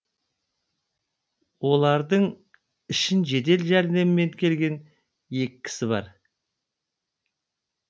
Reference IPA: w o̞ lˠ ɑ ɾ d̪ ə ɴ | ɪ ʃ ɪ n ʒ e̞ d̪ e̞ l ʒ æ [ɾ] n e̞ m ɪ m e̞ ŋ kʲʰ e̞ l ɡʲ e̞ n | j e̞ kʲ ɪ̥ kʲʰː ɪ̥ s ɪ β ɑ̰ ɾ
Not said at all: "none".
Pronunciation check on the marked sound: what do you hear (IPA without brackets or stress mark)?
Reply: ɾ